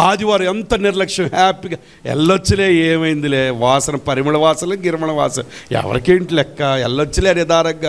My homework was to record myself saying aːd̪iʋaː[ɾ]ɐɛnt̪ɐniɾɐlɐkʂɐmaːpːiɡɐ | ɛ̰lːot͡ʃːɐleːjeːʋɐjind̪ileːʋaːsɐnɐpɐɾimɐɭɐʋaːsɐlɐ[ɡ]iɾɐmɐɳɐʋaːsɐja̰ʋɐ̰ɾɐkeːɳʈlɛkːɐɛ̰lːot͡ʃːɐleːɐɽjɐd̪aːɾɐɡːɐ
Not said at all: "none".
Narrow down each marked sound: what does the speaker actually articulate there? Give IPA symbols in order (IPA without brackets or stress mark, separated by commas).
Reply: ɾ, ɡ